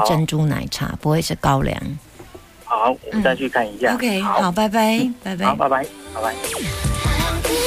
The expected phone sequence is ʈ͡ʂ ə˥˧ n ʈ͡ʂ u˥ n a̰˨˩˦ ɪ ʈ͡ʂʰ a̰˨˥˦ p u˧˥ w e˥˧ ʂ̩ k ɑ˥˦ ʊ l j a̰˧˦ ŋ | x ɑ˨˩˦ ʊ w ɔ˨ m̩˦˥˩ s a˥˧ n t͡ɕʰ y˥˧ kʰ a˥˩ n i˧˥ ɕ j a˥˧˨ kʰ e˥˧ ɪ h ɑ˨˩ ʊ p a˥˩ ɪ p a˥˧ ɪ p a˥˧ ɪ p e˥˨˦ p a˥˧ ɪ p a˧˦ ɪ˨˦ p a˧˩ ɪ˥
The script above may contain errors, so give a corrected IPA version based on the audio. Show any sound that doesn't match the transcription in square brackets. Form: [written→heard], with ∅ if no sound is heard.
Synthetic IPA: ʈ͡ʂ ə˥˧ n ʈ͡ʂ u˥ n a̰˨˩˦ ɪ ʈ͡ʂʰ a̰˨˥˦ p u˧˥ w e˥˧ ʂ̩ k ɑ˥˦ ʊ l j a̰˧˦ ŋ | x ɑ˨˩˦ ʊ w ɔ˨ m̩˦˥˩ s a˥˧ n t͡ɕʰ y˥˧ kʰ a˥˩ n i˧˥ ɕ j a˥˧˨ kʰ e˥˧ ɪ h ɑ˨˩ ʊ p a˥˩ ɪ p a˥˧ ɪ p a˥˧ ɪ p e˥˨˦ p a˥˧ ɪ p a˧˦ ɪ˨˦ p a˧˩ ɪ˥